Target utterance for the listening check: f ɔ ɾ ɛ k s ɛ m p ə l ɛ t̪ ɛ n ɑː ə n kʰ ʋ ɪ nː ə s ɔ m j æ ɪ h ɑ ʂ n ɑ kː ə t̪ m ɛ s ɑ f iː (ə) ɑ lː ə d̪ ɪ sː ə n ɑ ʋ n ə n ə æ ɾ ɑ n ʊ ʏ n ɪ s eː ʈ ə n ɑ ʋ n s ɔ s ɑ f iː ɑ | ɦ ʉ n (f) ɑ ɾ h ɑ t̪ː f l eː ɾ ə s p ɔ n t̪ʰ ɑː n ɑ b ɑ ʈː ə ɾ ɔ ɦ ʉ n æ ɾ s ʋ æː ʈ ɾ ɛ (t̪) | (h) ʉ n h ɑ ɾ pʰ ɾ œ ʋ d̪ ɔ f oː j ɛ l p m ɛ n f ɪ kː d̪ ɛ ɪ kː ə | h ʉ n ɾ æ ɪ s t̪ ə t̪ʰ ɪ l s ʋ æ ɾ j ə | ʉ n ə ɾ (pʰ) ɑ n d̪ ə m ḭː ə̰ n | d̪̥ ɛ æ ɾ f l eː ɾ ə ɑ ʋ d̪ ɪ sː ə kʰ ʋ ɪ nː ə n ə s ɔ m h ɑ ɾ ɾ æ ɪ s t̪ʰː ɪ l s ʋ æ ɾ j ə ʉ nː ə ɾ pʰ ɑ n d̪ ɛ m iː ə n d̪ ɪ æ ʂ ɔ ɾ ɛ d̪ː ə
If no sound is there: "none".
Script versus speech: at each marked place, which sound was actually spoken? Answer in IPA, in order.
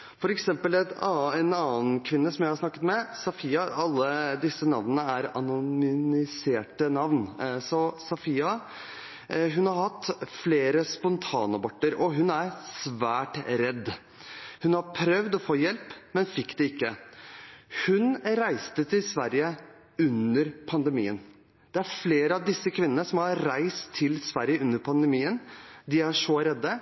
ɑ, h, d̪, h, pʰ

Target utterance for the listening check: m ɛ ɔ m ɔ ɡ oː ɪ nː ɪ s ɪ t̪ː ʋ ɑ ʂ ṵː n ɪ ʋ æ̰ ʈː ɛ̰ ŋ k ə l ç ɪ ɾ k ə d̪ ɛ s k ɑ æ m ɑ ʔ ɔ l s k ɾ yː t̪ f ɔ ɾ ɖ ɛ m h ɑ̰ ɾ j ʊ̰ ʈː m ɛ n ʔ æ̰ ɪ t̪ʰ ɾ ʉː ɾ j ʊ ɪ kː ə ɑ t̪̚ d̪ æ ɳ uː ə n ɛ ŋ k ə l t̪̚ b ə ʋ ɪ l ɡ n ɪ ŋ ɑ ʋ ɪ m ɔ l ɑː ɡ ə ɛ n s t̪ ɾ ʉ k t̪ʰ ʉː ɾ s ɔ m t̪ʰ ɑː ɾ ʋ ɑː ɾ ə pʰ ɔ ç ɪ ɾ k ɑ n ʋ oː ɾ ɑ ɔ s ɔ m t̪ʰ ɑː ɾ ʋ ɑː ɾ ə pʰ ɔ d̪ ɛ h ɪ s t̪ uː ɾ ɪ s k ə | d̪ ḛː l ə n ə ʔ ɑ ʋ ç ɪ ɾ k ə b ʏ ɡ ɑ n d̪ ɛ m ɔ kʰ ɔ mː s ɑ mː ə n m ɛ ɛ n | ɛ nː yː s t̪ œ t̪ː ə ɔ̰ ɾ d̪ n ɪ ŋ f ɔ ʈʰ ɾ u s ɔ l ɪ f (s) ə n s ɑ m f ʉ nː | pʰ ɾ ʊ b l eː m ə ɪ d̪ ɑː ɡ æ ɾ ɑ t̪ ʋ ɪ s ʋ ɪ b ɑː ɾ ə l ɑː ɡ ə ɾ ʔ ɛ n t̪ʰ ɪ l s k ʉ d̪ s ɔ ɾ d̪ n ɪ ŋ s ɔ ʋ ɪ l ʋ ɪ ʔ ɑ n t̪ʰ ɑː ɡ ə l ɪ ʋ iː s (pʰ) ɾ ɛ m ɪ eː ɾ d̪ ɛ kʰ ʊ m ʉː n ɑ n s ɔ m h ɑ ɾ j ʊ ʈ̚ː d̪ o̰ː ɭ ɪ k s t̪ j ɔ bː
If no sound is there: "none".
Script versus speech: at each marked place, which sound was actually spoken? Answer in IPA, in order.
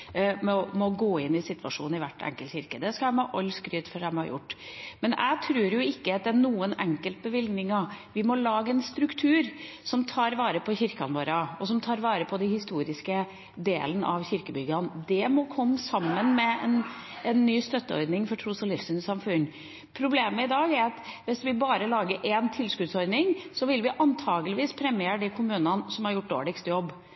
s, pʰ

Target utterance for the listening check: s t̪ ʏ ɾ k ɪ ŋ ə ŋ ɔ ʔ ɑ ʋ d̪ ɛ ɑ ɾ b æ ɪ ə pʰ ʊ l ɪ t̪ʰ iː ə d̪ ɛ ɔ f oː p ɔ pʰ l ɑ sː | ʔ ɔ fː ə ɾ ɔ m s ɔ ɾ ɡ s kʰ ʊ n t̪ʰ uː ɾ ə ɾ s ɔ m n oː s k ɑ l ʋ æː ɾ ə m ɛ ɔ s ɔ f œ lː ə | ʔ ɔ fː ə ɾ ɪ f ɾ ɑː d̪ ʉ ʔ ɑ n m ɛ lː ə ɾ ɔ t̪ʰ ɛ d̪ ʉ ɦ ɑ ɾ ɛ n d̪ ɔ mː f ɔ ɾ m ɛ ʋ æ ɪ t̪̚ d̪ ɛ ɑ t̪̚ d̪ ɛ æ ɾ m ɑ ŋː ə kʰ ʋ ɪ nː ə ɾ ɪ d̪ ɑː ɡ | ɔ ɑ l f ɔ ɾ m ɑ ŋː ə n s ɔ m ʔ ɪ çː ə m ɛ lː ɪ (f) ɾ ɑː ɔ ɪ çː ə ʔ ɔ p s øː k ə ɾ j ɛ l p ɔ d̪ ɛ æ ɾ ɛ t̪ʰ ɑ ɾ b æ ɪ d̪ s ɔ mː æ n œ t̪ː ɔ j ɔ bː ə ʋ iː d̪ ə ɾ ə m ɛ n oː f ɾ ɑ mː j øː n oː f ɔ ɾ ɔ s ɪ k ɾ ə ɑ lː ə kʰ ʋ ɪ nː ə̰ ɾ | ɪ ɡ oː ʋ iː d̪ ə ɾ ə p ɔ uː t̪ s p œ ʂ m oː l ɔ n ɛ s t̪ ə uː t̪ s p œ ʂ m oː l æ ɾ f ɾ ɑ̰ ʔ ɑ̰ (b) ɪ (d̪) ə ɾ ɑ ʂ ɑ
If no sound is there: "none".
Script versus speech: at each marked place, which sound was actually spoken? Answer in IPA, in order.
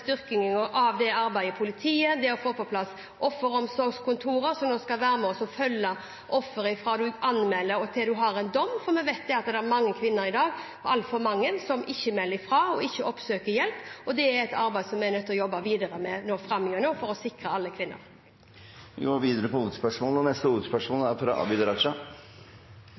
f, b, d̪

